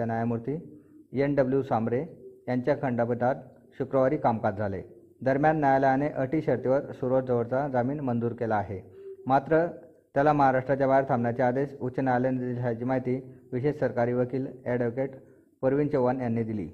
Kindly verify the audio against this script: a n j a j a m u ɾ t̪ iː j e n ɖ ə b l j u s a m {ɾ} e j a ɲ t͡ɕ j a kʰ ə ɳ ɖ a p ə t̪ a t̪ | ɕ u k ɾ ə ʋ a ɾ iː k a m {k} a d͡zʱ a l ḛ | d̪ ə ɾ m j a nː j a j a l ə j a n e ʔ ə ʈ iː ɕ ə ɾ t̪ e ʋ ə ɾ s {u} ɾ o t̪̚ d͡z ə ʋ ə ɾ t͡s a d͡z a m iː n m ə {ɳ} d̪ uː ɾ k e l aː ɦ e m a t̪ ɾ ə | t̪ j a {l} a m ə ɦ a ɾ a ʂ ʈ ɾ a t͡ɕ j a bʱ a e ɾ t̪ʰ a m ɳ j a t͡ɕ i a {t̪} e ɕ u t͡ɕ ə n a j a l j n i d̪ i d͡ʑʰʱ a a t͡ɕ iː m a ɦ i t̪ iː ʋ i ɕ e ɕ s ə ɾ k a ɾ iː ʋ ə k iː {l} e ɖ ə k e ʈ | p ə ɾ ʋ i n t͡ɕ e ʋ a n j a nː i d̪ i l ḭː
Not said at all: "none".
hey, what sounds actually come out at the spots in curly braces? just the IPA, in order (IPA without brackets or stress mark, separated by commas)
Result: ɾ, k, u, n, l, d̪, l